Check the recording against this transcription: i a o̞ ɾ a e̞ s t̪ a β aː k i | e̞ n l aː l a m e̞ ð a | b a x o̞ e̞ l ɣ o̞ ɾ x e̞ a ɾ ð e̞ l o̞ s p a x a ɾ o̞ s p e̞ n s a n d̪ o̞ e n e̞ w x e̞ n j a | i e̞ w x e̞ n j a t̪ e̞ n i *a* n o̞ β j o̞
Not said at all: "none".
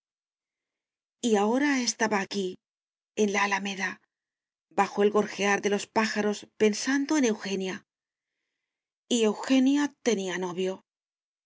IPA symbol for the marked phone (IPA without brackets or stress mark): a